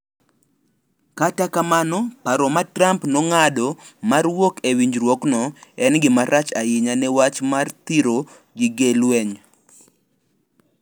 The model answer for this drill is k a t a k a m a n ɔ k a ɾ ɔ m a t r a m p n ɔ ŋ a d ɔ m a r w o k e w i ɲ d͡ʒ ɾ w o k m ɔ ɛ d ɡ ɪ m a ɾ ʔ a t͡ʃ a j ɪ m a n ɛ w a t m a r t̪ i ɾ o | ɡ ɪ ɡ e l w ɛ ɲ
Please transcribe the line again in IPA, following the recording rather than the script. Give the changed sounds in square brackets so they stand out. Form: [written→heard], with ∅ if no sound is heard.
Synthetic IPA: k a t a k a m a n ɔ [k→p] a ɾ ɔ m a t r a m p n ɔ ŋ a d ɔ m a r w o k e w i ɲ d͡ʒ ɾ w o k [m→n] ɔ ɛ [d→n] ɡ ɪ m a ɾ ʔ a t͡ʃ a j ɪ [m→ɲ] a n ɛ w a [t→t͡ʃ] m a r t̪ i ɾ o | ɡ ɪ ɡ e l w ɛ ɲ